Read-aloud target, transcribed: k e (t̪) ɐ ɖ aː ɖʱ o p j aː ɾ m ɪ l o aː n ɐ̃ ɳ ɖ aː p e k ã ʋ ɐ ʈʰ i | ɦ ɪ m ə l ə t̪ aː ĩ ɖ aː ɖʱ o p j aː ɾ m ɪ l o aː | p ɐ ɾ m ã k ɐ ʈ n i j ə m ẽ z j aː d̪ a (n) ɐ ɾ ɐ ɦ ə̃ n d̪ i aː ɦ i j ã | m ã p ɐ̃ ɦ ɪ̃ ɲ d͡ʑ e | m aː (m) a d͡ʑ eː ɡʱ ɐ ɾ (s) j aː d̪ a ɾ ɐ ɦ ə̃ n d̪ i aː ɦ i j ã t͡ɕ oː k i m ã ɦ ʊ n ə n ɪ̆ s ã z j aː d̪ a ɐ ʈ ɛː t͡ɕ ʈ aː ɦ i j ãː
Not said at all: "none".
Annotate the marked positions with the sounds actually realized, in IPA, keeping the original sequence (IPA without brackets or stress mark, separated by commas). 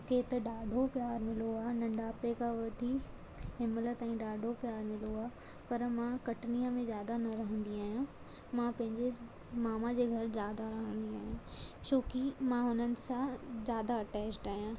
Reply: t̪, n, m, z